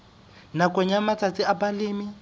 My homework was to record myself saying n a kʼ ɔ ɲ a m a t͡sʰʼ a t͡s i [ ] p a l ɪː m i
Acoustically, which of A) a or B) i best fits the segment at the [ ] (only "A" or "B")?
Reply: A